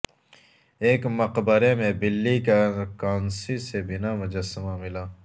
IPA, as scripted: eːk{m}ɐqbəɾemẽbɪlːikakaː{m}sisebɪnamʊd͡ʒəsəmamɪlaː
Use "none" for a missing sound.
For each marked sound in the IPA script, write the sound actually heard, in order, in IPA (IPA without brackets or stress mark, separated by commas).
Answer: m, n